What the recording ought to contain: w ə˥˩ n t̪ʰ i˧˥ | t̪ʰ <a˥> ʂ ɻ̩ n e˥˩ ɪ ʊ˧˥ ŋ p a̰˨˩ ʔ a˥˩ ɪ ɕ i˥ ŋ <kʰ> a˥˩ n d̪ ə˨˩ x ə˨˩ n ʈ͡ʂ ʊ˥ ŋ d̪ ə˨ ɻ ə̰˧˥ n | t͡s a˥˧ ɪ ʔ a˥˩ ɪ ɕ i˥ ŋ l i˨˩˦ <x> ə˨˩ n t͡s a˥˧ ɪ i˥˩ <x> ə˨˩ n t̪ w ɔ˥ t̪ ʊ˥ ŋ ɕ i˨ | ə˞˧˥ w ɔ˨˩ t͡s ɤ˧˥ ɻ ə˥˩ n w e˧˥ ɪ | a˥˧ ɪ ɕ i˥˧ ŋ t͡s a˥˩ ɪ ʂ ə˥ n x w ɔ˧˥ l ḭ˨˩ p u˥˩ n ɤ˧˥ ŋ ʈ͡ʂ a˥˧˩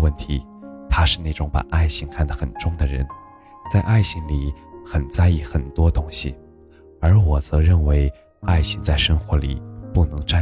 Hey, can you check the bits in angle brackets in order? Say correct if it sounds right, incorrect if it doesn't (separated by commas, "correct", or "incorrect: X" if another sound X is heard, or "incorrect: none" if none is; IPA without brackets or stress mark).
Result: correct, correct, correct, correct